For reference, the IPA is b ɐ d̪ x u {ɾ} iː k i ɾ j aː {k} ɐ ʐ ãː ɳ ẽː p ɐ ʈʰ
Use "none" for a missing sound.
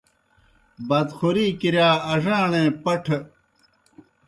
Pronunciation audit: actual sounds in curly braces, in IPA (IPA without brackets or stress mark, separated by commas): ɾ, none